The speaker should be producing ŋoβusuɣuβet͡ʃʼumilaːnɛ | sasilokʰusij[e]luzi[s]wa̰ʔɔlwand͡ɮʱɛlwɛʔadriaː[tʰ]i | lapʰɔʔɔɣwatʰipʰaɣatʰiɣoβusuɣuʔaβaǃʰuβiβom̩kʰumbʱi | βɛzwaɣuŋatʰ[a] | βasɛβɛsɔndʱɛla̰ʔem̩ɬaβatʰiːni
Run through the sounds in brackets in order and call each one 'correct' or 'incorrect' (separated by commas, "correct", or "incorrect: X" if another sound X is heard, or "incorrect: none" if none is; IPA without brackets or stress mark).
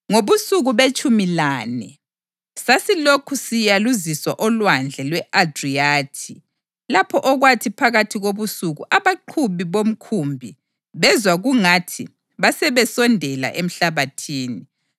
incorrect: a, correct, correct, incorrect: i